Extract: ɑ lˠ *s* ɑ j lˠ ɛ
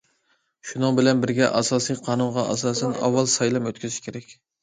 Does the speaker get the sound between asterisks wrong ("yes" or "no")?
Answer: no